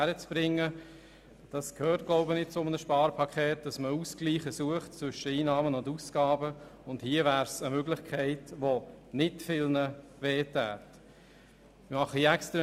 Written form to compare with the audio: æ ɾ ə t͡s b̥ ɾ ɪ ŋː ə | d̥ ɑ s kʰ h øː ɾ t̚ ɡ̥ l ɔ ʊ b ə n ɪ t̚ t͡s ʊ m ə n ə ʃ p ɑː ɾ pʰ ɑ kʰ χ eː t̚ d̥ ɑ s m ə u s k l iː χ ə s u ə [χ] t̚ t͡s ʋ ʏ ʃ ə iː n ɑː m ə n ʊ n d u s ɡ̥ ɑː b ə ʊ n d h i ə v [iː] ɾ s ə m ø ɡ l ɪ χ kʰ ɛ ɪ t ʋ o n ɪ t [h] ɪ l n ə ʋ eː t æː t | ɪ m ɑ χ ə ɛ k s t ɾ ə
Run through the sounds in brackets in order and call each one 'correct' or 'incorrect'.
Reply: correct, incorrect: æː, incorrect: f

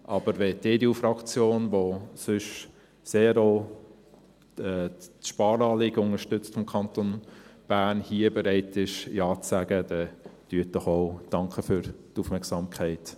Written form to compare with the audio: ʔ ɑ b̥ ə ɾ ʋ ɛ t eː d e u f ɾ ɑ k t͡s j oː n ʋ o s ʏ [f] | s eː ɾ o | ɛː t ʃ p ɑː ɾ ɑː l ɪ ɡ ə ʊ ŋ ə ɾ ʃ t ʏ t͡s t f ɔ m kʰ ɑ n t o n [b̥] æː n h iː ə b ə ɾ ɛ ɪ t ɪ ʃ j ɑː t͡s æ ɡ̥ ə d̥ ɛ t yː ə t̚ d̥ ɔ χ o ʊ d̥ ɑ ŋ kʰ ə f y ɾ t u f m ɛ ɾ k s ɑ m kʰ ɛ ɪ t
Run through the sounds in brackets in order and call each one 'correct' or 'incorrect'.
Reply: incorrect: ʃ, correct

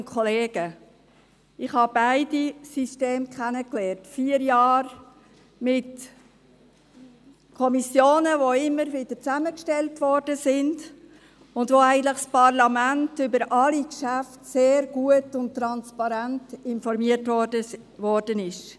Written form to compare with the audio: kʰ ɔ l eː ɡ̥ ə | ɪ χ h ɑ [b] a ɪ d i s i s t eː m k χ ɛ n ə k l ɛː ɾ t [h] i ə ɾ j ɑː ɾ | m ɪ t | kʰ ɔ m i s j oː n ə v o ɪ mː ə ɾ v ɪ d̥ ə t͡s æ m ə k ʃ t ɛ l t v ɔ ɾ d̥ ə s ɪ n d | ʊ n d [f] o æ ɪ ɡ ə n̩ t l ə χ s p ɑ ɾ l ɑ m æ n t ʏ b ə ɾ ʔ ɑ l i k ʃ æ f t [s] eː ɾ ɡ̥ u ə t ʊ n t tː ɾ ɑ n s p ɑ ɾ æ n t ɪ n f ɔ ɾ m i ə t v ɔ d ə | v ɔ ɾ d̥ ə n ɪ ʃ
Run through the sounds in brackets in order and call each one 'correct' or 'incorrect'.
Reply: correct, incorrect: f, incorrect: v, correct

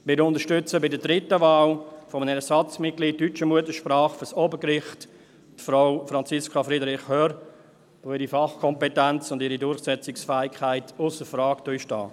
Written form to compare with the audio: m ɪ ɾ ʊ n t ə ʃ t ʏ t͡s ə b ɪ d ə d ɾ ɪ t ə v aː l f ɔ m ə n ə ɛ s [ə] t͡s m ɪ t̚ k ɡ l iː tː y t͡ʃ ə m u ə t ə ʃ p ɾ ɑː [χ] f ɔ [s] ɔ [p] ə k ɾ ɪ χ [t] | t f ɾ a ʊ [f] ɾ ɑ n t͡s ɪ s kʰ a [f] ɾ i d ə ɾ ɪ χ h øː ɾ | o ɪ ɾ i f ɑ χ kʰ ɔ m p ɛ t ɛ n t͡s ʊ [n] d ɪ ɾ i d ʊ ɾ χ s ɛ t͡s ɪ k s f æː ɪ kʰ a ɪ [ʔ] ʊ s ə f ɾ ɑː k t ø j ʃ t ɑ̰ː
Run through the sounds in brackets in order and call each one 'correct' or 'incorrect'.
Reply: incorrect: ɑ, correct, correct, incorrect: b, correct, correct, correct, correct, incorrect: t

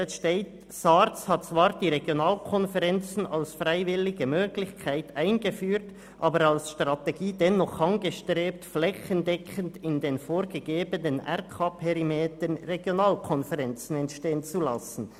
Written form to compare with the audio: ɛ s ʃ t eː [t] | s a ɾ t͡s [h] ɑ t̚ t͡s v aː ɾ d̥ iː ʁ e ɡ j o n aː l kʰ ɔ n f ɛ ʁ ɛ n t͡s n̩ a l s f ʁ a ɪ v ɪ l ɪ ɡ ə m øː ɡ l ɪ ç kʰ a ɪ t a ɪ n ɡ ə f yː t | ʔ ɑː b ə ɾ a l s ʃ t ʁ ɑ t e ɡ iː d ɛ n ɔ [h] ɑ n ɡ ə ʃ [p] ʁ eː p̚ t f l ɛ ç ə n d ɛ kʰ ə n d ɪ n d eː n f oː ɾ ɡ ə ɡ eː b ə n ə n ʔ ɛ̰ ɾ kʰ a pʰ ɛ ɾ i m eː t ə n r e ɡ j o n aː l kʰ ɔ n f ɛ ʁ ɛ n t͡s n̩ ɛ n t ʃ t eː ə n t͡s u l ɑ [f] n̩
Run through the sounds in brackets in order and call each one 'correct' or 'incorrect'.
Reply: correct, correct, incorrect: χ, incorrect: t, incorrect: s

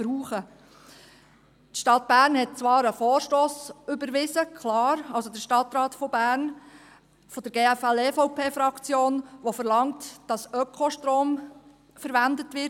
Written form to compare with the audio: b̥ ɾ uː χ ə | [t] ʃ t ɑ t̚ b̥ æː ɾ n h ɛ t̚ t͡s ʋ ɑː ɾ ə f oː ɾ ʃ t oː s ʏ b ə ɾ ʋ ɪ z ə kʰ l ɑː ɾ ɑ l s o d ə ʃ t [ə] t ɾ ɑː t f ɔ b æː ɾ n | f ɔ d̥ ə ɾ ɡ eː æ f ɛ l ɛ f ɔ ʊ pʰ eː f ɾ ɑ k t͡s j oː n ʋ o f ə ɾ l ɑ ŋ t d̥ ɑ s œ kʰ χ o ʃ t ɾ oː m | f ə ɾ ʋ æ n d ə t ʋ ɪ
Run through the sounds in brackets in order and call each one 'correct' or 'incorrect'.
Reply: correct, incorrect: ɑ

